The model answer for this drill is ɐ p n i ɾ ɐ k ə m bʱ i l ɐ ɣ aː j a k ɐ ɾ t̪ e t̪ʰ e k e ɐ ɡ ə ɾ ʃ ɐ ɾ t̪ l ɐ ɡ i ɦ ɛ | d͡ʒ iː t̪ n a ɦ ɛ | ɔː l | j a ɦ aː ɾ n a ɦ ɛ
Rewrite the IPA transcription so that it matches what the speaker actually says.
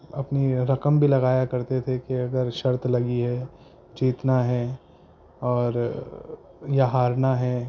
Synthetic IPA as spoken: ɐ p n i ɾ ɐ k ə m bʱ i l ɐ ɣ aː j a k ɐ ɾ t̪ e t̪ʰ e k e ɐ ɡ ə ɾ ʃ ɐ ɾ t̪ l ɐ ɡ i ɦ ɛ | d͡ʒ iː t̪ n a ɦ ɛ | ɔː ɾ | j a ɦ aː ɾ n a ɦ ɛ